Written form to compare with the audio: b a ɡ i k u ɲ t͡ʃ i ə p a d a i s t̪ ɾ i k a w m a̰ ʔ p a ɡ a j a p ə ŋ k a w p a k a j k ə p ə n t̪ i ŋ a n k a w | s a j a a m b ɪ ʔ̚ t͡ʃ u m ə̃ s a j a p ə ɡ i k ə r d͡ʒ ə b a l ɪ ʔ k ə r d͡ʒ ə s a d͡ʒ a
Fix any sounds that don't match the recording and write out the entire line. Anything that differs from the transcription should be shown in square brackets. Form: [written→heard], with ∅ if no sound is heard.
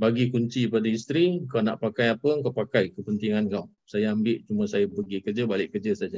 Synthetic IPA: b a ɡ i k u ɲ t͡ʃ i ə p a d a i s t̪ ɾ i k a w [m→n] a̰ ʔ p a [ɡ→k] a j a p ə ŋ k a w p a k a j k ə p ə n t̪ i ŋ a n k a w | s a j a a m b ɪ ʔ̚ t͡ʃ u m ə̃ s a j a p ə ɡ i k ə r d͡ʒ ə b a l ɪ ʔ k ə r d͡ʒ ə s a d͡ʒ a